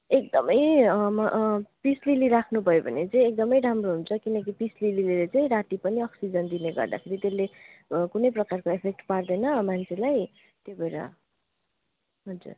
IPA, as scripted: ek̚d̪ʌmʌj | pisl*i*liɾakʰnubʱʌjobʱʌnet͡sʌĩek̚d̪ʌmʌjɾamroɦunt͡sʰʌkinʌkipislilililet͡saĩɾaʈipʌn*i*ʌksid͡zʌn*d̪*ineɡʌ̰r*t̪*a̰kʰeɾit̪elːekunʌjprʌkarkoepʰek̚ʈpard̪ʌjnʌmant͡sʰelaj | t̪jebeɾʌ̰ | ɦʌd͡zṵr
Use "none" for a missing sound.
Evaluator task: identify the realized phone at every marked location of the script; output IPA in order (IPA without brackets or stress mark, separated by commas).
i, i, d̪, d̪